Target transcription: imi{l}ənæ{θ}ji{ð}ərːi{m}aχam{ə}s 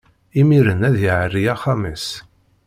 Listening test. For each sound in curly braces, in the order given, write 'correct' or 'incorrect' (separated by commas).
incorrect, incorrect, incorrect, incorrect, correct